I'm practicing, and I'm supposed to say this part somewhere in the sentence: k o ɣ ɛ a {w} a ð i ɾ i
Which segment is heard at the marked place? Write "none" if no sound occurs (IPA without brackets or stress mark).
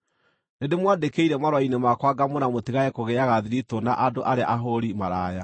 ɣ